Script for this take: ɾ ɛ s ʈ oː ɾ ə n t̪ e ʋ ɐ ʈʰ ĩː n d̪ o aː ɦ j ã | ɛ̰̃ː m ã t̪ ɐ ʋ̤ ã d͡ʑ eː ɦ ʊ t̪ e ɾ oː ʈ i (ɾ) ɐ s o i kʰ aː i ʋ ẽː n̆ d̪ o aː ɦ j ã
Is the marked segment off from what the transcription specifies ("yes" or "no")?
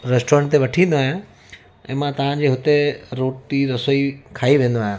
no